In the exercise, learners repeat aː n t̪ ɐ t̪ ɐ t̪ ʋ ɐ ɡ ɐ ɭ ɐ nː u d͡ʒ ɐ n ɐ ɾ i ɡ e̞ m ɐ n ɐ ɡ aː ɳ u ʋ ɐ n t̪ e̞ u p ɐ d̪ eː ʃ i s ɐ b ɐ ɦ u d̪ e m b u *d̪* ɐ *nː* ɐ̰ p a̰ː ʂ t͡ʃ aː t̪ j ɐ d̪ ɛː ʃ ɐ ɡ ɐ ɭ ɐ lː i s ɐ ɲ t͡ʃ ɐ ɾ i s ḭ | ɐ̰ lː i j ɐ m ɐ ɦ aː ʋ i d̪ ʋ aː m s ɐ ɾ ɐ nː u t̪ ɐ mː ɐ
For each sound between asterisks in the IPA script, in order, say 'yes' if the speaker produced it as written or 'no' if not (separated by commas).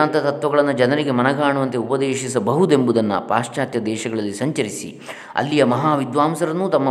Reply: yes, yes